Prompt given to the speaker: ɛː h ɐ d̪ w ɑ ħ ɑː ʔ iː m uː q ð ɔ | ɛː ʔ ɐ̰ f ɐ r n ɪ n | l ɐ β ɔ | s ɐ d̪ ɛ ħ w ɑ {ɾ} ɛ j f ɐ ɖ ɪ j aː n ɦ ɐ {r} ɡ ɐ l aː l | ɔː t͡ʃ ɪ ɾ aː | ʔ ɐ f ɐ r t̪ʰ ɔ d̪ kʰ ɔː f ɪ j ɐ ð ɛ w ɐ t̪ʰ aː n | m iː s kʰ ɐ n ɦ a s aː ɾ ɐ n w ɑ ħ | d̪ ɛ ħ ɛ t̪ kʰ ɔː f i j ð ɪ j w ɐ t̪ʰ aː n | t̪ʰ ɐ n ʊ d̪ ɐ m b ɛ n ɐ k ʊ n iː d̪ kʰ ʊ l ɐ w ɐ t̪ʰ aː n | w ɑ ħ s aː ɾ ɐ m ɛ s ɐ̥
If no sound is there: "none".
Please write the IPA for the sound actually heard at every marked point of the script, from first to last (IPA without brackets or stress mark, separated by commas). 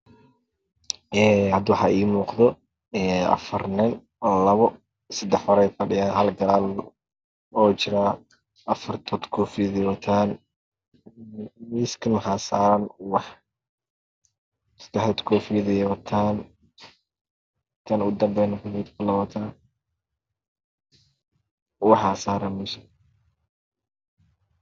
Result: ɾ, l